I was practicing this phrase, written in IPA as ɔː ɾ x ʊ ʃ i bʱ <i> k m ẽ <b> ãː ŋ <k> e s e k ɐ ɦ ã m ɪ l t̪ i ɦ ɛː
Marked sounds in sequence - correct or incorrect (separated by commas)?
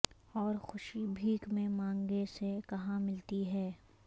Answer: incorrect, incorrect, incorrect